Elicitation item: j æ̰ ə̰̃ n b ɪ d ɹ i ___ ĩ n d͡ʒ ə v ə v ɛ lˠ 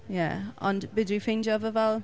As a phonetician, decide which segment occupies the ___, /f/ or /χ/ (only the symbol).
f